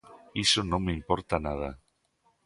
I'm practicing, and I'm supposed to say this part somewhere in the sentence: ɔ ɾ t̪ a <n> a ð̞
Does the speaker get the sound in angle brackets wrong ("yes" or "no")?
no